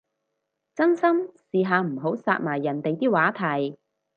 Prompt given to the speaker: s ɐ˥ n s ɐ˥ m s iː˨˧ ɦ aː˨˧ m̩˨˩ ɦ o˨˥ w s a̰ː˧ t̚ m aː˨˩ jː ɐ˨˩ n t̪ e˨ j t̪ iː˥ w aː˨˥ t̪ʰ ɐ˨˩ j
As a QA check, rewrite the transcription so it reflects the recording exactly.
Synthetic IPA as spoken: t͡s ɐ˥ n s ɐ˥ m s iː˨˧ ɦ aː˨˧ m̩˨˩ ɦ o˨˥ w s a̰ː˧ t̚ m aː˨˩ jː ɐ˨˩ n t̪ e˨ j t̪ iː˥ w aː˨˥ t̪ʰ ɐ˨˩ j